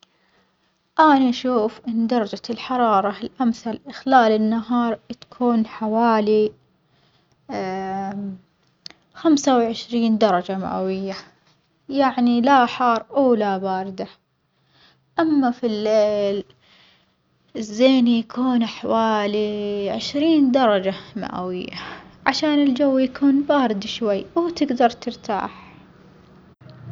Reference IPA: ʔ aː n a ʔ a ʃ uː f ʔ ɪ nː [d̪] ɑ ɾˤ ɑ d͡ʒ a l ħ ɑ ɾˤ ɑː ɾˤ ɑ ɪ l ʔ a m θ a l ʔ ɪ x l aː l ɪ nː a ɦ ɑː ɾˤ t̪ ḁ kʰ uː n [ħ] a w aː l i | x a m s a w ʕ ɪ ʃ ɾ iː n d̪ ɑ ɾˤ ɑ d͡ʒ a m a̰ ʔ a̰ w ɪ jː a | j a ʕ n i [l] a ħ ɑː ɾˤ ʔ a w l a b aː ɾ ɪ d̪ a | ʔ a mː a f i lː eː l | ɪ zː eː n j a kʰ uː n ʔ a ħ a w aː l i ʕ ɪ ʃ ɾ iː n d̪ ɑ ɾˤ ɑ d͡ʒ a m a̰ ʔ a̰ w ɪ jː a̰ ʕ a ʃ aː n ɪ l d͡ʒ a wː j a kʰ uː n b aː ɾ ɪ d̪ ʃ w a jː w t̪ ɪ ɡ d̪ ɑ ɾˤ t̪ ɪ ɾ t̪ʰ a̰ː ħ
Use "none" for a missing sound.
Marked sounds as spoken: d̪, ħ, l

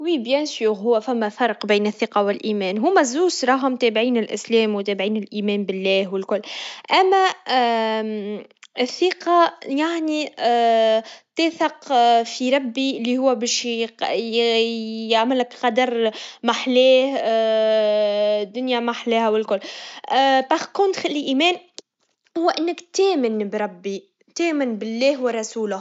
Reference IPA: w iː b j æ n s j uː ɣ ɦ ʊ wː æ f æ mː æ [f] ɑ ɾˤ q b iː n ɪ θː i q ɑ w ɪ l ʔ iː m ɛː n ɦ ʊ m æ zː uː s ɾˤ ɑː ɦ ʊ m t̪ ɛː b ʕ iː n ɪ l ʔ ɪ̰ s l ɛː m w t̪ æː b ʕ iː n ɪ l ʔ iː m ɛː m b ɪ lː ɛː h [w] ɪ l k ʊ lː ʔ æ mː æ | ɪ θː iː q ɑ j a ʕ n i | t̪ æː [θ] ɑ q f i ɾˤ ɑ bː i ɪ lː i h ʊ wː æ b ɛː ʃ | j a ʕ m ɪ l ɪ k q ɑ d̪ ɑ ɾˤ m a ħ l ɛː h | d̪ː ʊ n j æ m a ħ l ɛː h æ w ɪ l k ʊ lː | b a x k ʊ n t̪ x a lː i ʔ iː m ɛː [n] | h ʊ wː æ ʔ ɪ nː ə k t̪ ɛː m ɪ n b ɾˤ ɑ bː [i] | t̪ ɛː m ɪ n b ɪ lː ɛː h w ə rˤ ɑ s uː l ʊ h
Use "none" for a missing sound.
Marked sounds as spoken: f, w, θ, n, i

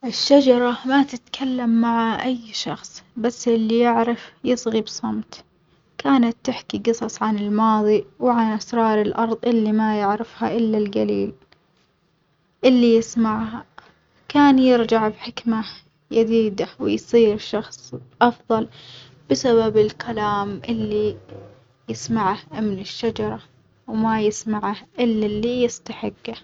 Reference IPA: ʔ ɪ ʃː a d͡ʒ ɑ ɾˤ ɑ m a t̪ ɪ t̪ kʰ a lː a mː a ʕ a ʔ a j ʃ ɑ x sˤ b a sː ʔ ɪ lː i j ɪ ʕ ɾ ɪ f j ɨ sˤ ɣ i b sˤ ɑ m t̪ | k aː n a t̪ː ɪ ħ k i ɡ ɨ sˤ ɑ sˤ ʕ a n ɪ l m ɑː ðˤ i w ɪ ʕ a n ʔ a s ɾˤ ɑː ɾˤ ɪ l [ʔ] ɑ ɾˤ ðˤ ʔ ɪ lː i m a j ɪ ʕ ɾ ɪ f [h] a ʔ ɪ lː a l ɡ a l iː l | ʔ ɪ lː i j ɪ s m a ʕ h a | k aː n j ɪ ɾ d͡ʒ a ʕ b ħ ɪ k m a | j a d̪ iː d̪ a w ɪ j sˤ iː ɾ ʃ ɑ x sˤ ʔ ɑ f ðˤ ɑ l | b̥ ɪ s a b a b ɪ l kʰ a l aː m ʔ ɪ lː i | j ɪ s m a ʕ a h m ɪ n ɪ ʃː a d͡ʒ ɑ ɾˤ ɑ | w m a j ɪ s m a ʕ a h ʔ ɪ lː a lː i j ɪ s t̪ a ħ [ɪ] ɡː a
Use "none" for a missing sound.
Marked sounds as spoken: ʔ, h, ɪ

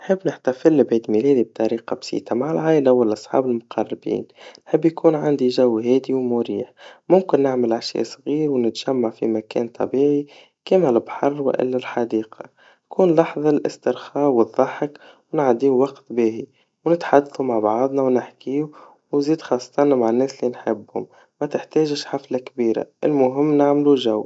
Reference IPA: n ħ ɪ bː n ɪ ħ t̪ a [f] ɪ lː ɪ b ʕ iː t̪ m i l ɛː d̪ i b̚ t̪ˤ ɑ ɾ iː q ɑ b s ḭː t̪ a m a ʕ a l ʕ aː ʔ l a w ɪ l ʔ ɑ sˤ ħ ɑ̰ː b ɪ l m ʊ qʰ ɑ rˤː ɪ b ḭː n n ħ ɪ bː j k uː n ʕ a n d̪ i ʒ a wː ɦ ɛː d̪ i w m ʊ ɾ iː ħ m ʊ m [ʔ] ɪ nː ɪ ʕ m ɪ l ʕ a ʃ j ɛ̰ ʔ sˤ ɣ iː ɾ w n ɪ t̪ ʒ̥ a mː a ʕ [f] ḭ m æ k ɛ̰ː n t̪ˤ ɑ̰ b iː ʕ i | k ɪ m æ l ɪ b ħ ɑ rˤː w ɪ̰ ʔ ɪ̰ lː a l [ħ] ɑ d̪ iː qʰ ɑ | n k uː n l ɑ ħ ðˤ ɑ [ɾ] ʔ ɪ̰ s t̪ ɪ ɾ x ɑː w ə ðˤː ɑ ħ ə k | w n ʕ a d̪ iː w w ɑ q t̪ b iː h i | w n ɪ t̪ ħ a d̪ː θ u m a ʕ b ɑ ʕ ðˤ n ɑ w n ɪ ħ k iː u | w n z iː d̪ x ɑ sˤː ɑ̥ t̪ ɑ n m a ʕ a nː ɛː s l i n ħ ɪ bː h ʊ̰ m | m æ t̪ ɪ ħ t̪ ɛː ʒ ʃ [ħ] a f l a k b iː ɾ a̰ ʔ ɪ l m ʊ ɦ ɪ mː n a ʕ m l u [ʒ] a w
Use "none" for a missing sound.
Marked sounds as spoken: f, k, f, ħ, l, ħ, ʒ

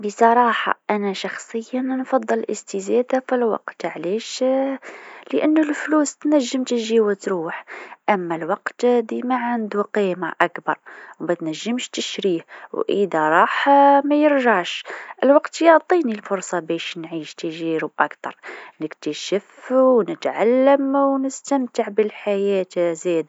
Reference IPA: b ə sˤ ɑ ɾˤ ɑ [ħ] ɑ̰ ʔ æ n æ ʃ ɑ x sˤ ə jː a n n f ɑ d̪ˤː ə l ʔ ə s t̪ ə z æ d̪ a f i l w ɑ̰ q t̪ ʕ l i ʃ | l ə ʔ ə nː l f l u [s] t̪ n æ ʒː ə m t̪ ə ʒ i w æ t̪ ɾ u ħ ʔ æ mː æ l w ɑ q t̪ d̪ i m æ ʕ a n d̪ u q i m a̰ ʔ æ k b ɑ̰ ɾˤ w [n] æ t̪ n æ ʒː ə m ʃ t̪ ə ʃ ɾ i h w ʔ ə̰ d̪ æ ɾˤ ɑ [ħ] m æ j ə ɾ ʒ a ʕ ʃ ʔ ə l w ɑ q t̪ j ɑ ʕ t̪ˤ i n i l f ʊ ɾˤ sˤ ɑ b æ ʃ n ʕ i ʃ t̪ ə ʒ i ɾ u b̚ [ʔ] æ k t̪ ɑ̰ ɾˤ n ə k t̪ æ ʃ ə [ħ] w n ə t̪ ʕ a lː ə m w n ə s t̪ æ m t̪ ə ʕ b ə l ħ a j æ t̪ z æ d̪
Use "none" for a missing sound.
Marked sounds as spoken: ħ, s, m, ħ, ʔ, f

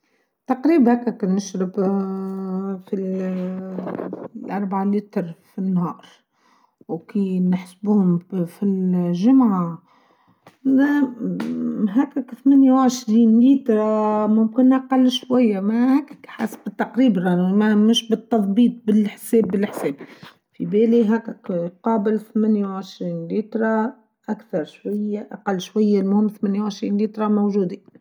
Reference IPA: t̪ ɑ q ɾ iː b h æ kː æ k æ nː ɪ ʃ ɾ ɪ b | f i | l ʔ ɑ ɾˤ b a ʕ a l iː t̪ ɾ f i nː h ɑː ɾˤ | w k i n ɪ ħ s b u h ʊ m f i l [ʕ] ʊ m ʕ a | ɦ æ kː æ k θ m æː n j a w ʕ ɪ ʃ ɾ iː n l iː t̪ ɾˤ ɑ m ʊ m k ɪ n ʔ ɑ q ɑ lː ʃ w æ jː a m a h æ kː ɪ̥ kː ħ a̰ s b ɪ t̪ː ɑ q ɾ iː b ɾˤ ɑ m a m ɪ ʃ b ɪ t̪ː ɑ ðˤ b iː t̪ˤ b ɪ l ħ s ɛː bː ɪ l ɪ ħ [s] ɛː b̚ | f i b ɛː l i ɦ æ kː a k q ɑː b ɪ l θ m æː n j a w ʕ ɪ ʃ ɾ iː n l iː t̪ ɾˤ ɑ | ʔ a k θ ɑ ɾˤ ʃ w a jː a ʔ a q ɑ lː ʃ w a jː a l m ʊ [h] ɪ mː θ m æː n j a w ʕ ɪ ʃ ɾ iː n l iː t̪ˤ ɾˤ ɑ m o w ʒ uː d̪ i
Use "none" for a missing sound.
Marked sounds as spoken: ʒ, s, h

